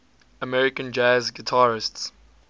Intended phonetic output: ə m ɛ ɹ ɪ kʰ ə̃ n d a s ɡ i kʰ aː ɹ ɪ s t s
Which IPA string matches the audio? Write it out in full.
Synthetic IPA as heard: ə m ɛ ɹ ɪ k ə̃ n d͡ʒ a z ɡ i tʰ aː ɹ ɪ s t s